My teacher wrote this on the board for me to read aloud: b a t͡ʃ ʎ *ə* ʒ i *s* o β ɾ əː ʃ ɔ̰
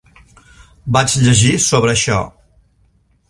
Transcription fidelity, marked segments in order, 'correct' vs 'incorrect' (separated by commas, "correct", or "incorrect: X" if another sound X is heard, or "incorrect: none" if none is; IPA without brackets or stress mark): correct, correct